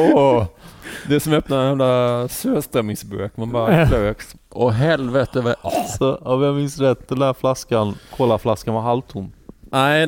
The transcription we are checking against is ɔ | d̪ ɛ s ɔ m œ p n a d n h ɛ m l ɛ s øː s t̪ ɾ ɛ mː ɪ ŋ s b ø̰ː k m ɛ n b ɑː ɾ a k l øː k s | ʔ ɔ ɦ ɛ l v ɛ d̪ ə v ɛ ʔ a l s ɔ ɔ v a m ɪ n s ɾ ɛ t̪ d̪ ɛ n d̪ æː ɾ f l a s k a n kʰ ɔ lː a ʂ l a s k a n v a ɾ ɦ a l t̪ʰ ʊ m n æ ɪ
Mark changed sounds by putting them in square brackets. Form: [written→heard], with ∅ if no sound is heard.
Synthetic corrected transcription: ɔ | d̪ ɛ s ɔ m œ p n a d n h ɛ m l [ɛ→a] s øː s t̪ ɾ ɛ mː ɪ ŋ s b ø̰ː k m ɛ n b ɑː ɾ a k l øː k s | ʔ ɔ ɦ ɛ l v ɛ [d̪→t̪] ə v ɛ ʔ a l s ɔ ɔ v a m ɪ n s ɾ ɛ t̪ d̪ ɛ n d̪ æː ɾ f l a s k a n kʰ ɔ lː a [ʂ→f] l a s k a n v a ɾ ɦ a l t̪ʰ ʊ m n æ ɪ